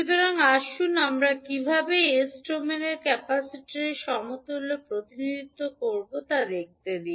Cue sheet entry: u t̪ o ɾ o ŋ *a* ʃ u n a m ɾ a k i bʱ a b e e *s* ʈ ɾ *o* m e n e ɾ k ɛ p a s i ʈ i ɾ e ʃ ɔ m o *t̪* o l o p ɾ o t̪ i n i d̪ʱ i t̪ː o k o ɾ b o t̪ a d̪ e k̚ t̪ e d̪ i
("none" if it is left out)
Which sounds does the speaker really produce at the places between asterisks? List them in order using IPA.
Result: a, s, o, t̪

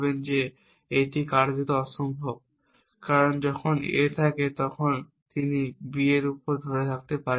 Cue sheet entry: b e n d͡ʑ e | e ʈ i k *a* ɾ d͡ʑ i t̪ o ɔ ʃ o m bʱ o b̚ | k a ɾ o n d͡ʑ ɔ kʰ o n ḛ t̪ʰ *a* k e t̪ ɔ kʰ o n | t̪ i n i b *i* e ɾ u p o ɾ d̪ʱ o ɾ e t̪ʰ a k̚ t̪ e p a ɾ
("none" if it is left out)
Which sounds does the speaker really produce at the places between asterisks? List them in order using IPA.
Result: a, a, i

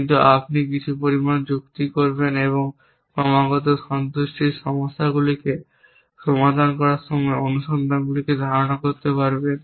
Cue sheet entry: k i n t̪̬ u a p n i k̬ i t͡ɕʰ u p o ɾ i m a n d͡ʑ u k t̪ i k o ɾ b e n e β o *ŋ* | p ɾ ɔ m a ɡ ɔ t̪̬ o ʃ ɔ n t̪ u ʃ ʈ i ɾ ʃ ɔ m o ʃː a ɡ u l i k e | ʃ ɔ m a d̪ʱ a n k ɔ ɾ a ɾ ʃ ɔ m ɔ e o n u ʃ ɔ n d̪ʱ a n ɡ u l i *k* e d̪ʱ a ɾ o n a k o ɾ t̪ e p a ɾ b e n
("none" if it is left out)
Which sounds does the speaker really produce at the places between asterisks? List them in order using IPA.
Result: ŋ, k

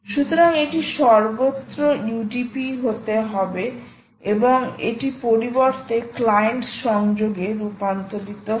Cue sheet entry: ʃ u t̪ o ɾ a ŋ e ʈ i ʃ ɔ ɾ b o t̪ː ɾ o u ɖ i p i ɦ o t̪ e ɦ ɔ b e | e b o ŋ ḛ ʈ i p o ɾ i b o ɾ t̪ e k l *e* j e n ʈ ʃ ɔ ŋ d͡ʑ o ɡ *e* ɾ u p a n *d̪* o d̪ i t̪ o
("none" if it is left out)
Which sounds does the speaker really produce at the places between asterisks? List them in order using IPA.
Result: a, e, t̪

